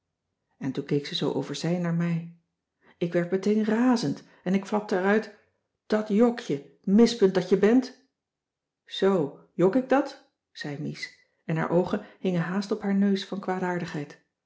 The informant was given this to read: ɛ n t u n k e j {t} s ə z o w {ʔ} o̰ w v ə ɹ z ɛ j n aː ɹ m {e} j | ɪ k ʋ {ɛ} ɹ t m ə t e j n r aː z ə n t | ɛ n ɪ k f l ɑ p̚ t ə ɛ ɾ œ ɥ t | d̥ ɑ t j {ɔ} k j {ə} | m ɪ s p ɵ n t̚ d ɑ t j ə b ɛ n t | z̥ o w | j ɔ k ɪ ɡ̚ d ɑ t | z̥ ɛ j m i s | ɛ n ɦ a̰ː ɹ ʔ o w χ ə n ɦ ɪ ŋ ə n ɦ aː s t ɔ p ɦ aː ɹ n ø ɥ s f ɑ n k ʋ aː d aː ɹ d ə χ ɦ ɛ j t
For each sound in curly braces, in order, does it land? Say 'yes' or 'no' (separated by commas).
no, yes, no, yes, yes, yes